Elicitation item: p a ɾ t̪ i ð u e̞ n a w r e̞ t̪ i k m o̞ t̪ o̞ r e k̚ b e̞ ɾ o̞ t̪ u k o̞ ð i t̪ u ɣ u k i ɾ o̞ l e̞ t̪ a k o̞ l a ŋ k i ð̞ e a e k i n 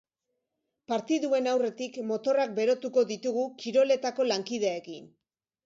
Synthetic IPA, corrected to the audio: p a ɾ t̪ i ð u e̞ n a w r e̞ t̪ i k m o̞ t̪ o̞ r a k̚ b e̞ ɾ o̞ t̪ u k o̞ ð i t̪ u ɣ u k i ɾ o̞ l e̞ t̪ a k o̞ l a ŋ k i ð̞ e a e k i n